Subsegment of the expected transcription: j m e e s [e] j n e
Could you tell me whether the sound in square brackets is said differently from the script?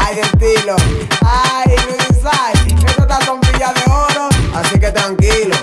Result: yes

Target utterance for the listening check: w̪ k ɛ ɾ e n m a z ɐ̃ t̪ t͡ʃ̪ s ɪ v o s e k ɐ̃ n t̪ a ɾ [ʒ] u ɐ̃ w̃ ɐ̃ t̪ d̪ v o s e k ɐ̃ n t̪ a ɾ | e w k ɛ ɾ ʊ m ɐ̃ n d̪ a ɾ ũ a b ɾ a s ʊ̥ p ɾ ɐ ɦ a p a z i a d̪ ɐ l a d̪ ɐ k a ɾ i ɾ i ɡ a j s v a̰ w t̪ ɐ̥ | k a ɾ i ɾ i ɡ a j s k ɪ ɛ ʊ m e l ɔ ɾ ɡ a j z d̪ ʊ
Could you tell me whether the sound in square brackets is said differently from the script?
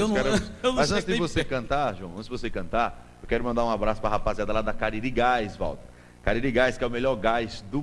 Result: no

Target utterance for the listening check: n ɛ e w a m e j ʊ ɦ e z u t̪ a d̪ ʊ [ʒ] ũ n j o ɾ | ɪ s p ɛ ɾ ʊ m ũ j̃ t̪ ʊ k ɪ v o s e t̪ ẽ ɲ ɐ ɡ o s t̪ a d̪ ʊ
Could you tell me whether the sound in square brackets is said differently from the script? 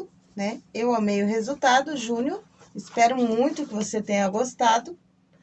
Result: no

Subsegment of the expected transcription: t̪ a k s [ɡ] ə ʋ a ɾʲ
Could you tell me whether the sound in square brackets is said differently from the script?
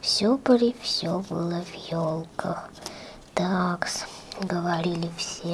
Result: no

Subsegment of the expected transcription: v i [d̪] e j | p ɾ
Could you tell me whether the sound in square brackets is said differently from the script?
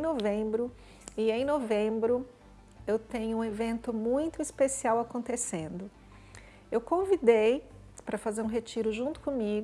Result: no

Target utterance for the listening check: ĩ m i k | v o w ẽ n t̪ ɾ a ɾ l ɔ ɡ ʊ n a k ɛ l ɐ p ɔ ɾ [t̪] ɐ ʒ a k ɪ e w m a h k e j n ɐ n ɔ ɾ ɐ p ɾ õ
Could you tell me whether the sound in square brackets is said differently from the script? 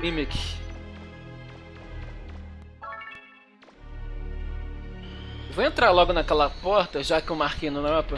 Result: no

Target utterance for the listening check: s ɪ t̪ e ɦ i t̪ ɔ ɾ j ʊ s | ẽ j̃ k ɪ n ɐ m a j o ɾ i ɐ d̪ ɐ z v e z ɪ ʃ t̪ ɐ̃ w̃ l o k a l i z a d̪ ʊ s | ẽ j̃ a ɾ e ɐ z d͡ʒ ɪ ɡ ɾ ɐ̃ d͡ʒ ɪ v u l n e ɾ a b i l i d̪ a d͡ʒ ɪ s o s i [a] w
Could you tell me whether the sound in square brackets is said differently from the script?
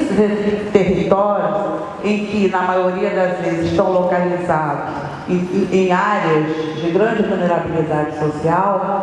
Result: no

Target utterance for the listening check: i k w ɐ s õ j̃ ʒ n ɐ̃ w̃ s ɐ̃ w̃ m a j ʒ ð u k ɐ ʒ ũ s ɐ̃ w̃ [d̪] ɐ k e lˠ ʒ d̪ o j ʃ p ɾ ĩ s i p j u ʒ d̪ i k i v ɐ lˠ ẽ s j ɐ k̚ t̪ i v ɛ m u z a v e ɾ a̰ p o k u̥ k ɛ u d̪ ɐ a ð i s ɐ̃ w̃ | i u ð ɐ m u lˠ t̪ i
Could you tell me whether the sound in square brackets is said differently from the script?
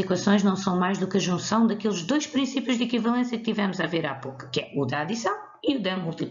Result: no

